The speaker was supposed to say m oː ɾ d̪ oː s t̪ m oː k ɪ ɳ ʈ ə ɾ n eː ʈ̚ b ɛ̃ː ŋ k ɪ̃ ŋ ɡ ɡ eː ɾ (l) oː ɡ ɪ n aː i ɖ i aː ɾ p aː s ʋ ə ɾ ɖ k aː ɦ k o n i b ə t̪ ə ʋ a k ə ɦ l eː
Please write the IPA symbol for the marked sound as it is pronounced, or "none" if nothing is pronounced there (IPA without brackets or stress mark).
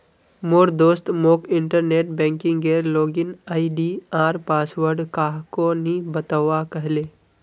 l